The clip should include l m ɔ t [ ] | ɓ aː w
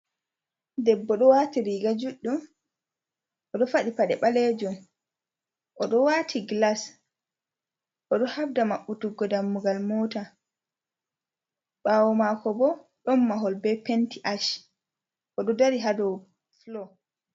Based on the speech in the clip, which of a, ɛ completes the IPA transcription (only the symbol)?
a